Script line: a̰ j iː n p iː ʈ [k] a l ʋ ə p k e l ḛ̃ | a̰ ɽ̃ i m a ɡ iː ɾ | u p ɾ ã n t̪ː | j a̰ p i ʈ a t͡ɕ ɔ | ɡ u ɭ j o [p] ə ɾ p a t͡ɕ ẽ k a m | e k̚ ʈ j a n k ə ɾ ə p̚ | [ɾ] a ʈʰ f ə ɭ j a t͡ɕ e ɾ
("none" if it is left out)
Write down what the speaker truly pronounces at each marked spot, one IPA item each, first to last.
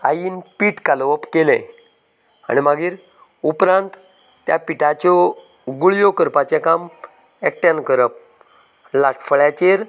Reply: k, k, l

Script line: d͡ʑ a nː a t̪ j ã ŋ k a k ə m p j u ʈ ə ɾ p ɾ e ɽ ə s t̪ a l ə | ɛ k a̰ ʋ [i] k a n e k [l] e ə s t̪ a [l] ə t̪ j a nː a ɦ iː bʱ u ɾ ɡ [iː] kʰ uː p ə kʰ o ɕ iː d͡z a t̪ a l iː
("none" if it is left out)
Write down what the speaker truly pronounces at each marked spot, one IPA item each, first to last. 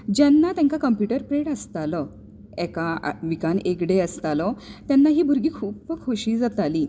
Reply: i, ɽ, l, iː

